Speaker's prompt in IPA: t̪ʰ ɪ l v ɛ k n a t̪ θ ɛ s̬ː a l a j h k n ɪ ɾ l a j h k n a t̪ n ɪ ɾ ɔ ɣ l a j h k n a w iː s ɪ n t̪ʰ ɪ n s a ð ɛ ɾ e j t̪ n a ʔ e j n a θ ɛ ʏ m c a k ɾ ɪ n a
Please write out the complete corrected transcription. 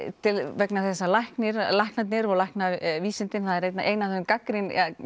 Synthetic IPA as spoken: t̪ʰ ɪ l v ɛ k n a θ ɛ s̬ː a l a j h k n ɪ ɾ l a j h k n a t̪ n ɪ ɾ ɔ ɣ l a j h k n a v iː s ɪ n t̪ ɪ n θ a ð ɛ ɾ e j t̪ n a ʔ e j n a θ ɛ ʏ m k a k ɾ ɪ n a